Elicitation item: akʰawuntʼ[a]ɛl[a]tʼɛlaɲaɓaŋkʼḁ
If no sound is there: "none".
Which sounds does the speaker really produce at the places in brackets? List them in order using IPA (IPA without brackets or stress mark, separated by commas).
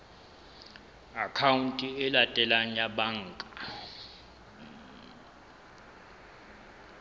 i, a